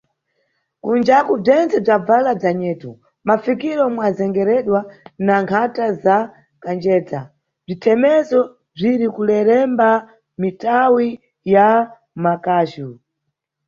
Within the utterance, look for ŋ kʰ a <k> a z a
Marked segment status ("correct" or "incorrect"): incorrect